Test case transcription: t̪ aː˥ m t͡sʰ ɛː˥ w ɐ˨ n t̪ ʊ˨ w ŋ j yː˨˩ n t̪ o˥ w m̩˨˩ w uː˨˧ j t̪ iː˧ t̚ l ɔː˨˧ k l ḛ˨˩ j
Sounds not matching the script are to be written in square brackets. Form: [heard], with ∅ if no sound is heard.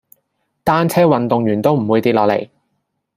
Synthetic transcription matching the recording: t̪ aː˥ [n] t͡sʰ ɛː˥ w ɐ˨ n t̪ ʊ˨ [∅] ŋ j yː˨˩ n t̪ o˥ w m̩˨˩ w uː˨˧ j t̪ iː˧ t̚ l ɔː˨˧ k l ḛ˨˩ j